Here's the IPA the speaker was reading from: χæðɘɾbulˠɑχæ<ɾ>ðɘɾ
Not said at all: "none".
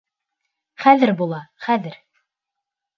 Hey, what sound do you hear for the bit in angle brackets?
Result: none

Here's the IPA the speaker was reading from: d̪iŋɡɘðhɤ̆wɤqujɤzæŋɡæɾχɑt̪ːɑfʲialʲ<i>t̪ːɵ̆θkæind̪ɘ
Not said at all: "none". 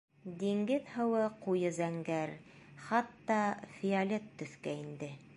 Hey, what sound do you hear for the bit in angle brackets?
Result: e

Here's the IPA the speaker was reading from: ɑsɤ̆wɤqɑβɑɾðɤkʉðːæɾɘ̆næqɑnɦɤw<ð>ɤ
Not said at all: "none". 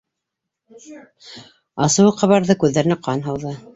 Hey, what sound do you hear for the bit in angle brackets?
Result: ð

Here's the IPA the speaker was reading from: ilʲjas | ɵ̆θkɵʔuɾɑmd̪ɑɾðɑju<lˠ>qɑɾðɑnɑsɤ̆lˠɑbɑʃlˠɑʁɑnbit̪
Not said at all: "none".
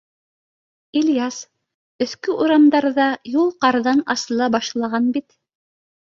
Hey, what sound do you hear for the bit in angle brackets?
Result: lˠ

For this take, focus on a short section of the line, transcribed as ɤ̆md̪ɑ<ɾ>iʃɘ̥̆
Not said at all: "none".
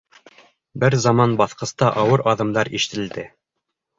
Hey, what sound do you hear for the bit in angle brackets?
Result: ɾ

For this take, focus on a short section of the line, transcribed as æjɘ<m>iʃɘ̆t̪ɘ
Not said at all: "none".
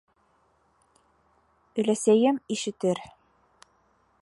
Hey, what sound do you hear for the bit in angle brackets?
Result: m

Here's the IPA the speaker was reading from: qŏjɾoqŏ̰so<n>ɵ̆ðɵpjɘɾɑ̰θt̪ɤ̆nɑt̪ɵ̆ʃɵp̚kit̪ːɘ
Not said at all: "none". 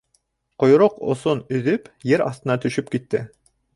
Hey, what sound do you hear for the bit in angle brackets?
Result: n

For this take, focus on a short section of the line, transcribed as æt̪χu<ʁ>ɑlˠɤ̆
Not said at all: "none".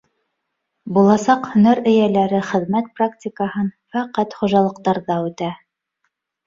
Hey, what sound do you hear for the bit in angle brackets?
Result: ʒ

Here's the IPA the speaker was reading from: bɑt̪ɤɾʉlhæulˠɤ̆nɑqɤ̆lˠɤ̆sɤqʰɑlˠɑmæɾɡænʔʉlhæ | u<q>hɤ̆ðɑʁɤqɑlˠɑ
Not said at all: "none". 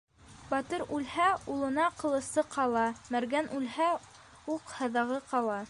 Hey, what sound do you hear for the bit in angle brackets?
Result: q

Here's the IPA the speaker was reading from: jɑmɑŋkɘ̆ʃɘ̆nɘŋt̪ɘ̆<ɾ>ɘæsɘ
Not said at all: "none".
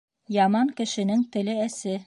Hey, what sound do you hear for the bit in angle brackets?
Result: l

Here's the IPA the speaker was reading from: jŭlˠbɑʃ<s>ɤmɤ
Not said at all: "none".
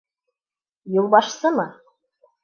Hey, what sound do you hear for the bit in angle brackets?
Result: s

